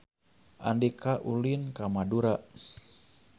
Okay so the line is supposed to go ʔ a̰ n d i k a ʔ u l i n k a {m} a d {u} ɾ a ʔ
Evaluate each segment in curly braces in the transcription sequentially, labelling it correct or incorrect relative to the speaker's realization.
correct, correct

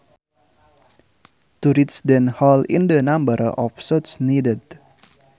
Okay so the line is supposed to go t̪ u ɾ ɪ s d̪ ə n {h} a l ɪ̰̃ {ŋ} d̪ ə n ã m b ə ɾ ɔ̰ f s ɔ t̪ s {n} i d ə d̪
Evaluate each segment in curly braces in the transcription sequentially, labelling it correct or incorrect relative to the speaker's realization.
correct, incorrect: n, correct

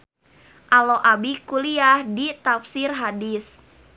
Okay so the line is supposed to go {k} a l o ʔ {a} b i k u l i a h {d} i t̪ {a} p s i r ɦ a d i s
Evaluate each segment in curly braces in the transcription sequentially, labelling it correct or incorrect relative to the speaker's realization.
incorrect: ʔ, correct, correct, correct

